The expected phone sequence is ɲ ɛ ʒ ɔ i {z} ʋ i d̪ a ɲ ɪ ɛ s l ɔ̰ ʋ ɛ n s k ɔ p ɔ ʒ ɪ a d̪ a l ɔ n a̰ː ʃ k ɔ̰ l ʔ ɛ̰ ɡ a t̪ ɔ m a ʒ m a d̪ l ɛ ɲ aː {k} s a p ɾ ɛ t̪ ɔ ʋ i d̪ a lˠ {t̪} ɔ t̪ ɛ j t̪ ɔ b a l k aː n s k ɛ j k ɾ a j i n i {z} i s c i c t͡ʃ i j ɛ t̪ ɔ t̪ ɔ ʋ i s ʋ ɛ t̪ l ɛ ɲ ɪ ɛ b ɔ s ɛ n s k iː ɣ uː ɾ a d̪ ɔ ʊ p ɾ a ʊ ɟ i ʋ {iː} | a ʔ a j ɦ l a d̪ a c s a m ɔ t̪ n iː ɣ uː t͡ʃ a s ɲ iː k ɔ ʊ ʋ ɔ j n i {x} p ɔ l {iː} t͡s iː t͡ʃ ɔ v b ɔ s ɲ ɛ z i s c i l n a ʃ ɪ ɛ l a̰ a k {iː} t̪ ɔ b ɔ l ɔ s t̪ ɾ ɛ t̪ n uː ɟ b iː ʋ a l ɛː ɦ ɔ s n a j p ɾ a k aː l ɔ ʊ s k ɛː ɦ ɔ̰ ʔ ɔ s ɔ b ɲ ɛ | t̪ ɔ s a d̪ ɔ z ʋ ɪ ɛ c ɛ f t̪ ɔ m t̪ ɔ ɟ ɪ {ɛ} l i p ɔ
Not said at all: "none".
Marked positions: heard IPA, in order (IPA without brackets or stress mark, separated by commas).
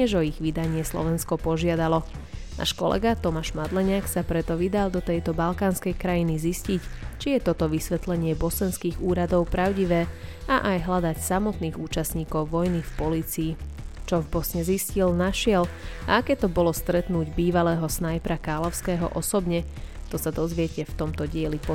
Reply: ɣ, k, d̪, z, ɛː, f, iː, ɛː, ɛ